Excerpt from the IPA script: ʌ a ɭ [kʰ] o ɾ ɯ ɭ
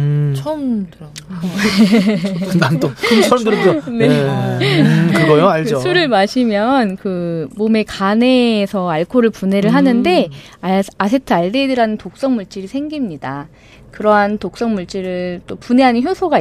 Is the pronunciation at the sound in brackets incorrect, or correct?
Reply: correct